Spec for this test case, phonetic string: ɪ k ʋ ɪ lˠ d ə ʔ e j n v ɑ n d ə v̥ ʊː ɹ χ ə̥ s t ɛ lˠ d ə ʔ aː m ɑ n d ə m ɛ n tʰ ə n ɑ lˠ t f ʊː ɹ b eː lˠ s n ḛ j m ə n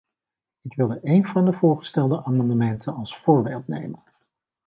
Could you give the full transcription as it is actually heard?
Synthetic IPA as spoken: ɪ k ʋ ɪ lˠ d ə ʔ e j n v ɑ n d ə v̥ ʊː ɹ χ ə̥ s t ɛ lˠ d ə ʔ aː m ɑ n d ə m ɛ n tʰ ə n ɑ lˠ s f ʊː ɹ b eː lˠ t n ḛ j m ə n